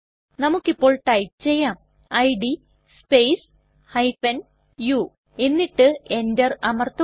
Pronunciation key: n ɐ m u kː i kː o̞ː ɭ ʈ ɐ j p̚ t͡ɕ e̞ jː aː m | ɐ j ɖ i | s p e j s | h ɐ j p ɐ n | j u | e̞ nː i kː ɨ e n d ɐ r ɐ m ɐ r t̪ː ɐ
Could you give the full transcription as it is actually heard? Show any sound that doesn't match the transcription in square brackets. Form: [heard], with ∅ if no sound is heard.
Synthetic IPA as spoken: n ɐ m u kː i [pː] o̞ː ɭ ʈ ɐ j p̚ t͡ɕ e̞ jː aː m | ɐ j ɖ i | s p e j s | h ɐ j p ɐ n | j u | e̞ nː i [ʈː] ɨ e n d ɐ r ɐ m ɐ r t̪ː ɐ